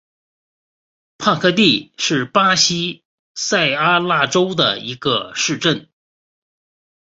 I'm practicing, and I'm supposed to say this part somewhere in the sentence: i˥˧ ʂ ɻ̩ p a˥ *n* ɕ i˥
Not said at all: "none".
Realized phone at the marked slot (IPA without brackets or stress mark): none